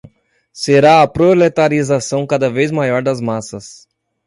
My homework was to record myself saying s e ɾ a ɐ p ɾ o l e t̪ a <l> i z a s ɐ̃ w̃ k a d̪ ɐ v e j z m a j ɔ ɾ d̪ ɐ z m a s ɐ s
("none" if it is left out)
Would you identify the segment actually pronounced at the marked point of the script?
ɾ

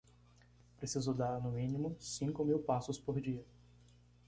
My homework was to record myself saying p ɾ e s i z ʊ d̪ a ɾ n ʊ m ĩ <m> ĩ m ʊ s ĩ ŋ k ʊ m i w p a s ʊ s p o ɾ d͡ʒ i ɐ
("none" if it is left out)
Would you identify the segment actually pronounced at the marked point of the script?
n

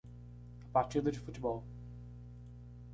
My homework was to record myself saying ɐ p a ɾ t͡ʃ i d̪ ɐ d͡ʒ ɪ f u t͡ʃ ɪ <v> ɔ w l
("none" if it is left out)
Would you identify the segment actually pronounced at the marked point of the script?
b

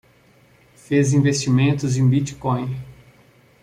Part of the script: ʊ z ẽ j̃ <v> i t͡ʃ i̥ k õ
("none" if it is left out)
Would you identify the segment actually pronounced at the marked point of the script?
b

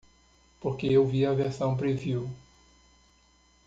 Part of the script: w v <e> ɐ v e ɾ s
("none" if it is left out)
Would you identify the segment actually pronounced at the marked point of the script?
i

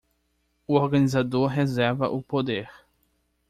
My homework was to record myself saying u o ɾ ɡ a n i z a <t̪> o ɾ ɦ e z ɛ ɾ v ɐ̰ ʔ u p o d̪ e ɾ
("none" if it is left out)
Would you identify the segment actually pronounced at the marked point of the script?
d̪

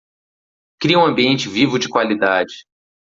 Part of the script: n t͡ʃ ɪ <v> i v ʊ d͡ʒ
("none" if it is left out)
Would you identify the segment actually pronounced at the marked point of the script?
v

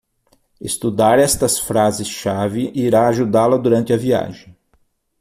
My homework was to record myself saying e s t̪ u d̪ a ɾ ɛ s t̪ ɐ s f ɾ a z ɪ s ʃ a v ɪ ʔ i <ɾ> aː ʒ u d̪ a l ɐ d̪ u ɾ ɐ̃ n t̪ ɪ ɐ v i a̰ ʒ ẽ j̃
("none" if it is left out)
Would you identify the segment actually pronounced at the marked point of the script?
ɾ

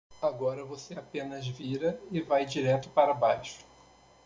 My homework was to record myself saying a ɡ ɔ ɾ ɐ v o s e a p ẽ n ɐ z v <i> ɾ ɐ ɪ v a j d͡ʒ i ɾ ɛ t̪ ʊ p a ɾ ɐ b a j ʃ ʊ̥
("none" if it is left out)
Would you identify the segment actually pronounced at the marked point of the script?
i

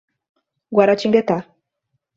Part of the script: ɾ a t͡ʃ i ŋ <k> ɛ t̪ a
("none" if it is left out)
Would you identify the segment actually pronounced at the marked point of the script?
ɡ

